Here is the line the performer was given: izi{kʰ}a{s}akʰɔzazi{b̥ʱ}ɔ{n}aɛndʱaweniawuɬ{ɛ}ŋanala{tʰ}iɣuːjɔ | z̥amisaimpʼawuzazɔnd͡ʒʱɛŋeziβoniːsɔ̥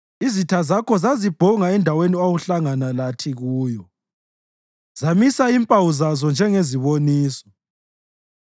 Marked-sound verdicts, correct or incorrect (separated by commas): incorrect, incorrect, correct, incorrect, incorrect, correct